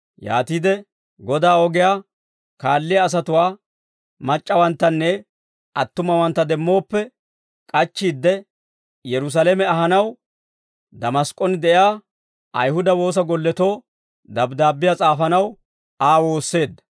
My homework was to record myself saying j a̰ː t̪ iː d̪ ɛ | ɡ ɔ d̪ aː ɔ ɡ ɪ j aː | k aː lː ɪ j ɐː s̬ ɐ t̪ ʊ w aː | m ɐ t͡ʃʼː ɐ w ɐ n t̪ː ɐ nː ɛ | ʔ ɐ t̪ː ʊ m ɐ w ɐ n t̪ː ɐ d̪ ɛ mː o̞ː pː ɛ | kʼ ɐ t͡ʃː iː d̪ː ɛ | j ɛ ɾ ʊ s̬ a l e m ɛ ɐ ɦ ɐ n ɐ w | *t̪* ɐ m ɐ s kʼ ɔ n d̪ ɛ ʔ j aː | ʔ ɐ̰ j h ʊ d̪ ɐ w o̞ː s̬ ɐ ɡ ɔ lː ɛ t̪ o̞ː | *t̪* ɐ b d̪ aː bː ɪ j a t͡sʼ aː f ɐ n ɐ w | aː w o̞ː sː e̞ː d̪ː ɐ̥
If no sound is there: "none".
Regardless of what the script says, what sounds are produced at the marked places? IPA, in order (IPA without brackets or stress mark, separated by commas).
d̪, d̪